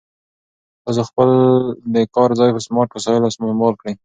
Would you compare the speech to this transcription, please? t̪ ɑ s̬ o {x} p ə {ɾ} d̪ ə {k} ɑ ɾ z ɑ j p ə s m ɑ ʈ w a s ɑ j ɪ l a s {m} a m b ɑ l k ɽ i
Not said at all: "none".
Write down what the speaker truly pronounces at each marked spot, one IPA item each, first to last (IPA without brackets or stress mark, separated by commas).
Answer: x, l, k, m